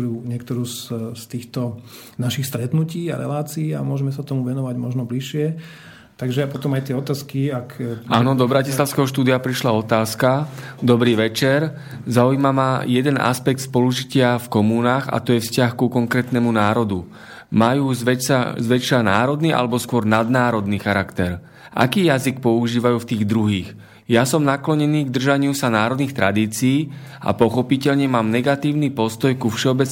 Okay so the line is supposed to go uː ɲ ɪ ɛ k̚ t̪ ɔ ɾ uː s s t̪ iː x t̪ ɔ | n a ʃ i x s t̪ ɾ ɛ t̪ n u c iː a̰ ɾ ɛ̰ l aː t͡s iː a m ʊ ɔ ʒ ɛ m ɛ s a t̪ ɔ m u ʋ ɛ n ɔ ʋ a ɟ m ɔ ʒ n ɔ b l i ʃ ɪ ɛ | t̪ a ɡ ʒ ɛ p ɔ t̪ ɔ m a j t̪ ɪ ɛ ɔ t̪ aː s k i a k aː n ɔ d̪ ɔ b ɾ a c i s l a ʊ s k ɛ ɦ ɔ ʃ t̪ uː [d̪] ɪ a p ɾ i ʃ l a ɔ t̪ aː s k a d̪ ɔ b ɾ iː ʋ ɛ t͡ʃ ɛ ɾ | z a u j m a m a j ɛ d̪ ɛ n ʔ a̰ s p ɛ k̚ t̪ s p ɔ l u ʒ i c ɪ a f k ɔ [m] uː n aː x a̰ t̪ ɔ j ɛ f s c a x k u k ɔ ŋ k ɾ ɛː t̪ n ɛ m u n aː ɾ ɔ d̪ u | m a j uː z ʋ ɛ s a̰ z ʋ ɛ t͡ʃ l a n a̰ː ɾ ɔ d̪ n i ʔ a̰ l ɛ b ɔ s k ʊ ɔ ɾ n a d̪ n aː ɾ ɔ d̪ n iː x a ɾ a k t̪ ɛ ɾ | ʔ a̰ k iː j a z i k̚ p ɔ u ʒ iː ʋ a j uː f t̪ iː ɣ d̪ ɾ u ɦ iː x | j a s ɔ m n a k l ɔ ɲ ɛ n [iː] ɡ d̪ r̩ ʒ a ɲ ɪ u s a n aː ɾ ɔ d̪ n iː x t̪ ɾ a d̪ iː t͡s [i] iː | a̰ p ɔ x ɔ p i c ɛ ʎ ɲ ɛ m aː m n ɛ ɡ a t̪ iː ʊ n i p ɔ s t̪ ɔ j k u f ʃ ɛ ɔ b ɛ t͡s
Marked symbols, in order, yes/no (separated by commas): yes, yes, yes, yes